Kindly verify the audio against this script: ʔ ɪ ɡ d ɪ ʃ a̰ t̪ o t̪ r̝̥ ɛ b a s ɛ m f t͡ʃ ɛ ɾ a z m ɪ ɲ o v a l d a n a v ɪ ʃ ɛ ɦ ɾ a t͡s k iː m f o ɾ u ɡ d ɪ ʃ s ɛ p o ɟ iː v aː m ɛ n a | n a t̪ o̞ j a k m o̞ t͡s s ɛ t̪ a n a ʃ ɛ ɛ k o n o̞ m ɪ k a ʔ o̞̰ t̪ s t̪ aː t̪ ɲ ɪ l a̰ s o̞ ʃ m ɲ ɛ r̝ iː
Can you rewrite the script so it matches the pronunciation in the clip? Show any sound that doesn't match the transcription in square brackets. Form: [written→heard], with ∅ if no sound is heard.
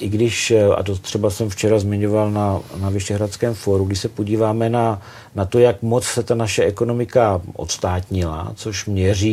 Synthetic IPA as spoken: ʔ ɪ ɡ d ɪ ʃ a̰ t̪ o t̪ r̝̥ ɛ b a s ɛ m f t͡ʃ ɛ ɾ a z m ɪ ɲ o v a l [d→n] a n a v ɪ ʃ ɛ ɦ ɾ a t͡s k [iː→ɛː] m f o ɾ u ɡ d ɪ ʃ s ɛ p o ɟ iː v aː m ɛ n a | n a t̪ o̞ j a k m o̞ t͡s s ɛ t̪ a n a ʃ ɛ ɛ k o n o̞ m ɪ k a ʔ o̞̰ t̪ s t̪ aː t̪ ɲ ɪ l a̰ [s→t͡s] o̞ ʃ m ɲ ɛ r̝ iː